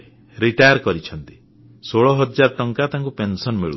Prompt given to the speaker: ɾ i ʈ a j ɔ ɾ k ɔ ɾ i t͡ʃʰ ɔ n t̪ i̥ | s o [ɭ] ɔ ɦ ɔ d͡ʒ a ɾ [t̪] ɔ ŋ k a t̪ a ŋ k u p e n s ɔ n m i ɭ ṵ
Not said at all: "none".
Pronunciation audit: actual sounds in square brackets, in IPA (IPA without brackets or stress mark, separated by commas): ɭ, t̪